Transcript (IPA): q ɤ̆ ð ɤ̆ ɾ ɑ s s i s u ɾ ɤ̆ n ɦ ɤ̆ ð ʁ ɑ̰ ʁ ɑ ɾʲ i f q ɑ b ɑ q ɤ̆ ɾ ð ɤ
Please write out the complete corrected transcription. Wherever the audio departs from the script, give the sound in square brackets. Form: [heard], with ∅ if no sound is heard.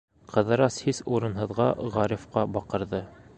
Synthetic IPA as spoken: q ɤ̆ ð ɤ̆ ɾ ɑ s [h] i s u ɾ ɤ̆ n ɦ ɤ̆ ð ʁ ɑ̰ ʁ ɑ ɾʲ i f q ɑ b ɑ q ɤ̆ ɾ ð ɤ